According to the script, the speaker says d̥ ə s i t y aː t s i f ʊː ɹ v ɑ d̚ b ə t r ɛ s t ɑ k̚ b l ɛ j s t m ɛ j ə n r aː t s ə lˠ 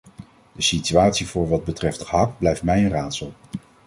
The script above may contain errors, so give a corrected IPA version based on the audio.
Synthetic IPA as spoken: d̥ ə s i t y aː t s i v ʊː ɹ ʋ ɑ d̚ b ə t r ɛ f t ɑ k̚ b l ɛ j f t m ɛ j ə n r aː t s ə lˠ